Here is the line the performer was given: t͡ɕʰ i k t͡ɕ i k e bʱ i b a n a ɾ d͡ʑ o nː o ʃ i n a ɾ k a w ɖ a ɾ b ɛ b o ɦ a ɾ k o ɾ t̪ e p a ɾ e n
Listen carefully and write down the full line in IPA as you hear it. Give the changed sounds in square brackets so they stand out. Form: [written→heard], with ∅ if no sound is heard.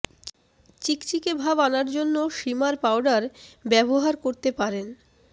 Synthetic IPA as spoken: [t͡ɕʰ→t͡ɕ] i k t͡ɕ i k e bʱ [i→a] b a n a ɾ d͡ʑ o nː o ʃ i [n→m] a ɾ [k→p] a w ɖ a ɾ b ɛ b o ɦ a ɾ k o ɾ t̪ e p a ɾ e n